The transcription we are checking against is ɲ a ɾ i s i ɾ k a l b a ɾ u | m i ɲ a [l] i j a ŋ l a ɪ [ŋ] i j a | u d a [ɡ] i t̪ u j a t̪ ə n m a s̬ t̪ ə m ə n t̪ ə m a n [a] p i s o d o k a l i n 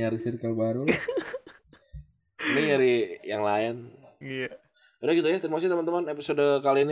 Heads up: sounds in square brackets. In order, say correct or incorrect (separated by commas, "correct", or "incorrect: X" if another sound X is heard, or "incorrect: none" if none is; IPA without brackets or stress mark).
incorrect: ɾ, incorrect: n, correct, incorrect: e